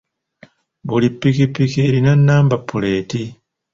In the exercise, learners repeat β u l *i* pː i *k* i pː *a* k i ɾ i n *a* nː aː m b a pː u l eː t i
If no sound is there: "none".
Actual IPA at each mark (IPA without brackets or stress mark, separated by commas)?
i, k, i, a